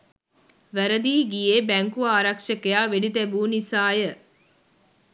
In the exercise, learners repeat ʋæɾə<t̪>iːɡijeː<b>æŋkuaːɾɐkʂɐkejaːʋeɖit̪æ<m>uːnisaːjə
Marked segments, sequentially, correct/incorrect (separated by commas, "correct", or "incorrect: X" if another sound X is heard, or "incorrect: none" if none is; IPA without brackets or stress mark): incorrect: d̪, correct, incorrect: b